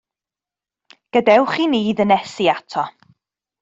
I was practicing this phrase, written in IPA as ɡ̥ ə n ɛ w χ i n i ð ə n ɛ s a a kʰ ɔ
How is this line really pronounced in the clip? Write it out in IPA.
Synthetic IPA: ɡ̥ ə d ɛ w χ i n iː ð ə n ɛ s i a tʰ ɔ